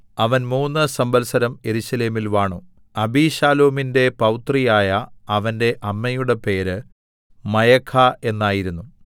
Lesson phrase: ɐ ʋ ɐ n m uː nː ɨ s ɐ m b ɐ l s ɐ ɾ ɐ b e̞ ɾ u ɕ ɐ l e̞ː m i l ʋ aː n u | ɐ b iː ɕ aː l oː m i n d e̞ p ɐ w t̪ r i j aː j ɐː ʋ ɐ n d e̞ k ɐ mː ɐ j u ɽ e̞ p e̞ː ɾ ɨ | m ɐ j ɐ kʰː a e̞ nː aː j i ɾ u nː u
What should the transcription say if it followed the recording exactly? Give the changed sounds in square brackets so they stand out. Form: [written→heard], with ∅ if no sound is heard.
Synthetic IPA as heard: ɐ ʋ ɐ n m uː nː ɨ s ɐ m b ɐ l s ɐ ɾ ɐ [b→m] e̞ ɾ u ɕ ɐ l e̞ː m i l ʋ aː [n→ɳ] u | ɐ b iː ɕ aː l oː m i n d e̞ p ɐ w t̪ r i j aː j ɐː ʋ ɐ n d e̞ [k→ʔ] ɐ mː ɐ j u ɽ e̞ p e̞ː ɾ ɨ | m ɐ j ɐ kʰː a e̞ nː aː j i ɾ u nː u